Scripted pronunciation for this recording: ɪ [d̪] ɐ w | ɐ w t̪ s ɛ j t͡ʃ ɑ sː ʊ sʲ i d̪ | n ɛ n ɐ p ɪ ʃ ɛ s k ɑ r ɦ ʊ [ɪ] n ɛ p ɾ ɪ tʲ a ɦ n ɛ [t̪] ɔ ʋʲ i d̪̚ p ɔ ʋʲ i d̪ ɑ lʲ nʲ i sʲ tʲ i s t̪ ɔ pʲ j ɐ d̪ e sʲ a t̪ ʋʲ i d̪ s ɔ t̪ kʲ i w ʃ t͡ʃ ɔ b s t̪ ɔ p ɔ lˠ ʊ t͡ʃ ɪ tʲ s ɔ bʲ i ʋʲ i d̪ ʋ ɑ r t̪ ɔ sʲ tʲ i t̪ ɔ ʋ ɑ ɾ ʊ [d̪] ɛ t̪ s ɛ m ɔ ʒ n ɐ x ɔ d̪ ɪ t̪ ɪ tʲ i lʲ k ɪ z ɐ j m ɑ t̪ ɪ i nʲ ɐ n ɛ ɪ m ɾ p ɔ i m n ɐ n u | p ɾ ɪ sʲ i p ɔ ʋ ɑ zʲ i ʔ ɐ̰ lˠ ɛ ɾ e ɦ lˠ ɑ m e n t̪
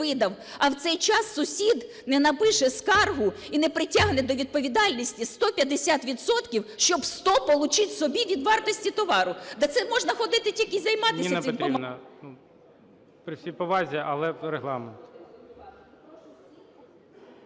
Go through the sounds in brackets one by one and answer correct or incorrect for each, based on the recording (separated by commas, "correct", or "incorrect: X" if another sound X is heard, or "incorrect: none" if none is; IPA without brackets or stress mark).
correct, incorrect: i, incorrect: d̪, correct